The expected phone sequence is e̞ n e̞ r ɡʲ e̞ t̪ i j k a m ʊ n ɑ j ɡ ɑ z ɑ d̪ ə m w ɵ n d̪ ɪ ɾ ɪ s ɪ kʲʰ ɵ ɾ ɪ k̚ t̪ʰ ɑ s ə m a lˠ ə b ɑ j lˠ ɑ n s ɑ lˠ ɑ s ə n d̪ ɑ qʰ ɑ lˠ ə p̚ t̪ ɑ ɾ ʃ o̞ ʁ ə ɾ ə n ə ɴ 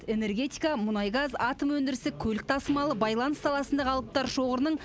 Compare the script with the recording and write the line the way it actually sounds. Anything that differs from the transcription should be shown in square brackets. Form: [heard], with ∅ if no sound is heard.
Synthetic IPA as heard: e̞ n e̞ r ɡʲ e̞ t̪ i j k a m ʊ n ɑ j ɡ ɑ z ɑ [t̪] ə m w ɵ n d̪ ɪ ɾ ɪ s ɪ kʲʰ ɵ [l] ɪ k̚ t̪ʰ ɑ s ə m [ɑ] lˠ ə b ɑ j lˠ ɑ n s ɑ lˠ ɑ s ə n d̪ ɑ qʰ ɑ lˠ ə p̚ t̪ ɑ ɾ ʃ o̞ ʁ ə ɾ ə n ə ɴ